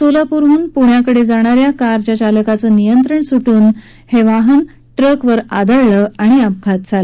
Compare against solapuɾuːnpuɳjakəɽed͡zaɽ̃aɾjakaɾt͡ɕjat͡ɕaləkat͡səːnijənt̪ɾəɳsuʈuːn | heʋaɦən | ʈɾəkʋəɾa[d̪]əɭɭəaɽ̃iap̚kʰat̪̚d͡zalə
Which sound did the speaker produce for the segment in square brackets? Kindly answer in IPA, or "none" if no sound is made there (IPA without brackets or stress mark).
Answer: d̪